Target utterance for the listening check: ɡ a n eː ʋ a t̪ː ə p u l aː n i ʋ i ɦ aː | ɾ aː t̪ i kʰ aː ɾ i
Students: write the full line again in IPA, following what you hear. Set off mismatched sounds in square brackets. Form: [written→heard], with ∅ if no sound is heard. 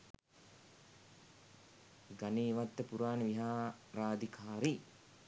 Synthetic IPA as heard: ɡ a n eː ʋ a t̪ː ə p u [l→ɾ] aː n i ʋ i ɦ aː | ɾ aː [t̪→d̪] i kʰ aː ɾ i